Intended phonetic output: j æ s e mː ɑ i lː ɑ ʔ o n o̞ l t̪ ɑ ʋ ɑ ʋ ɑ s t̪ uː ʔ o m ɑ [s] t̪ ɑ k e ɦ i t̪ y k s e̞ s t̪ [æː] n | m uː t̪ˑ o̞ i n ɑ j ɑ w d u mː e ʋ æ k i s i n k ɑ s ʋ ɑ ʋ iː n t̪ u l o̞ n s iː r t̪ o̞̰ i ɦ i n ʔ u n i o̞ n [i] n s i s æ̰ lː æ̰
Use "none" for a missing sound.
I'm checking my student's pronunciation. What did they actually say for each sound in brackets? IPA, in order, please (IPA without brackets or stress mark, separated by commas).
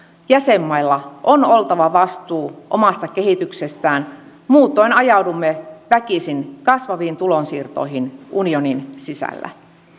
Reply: s, æː, i